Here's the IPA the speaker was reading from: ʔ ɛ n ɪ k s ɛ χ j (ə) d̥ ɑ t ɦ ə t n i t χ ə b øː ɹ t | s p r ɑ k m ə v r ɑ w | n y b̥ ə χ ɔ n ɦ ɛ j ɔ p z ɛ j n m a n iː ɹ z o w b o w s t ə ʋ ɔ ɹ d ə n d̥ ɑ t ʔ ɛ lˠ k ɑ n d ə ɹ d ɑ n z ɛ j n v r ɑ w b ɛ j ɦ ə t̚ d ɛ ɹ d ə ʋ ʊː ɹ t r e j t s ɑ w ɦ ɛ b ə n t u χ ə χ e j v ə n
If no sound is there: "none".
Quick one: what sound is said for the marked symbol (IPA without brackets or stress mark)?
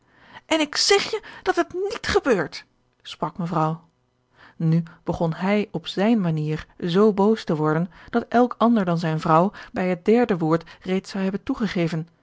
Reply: ə